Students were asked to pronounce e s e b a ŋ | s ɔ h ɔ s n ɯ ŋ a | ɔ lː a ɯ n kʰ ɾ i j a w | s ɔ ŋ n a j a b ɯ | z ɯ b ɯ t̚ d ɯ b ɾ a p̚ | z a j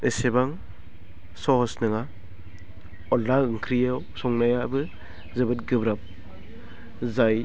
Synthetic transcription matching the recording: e s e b a ŋ | s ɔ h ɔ s n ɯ ŋ a | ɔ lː a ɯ ŋ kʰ ɾ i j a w | s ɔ ŋ n a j a b ɯ | z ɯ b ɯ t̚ ɡ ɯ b ɾ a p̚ | z a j